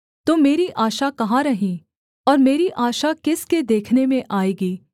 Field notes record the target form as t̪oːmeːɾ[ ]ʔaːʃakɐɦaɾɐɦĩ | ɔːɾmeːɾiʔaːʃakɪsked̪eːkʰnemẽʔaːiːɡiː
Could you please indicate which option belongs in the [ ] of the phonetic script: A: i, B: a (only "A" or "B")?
A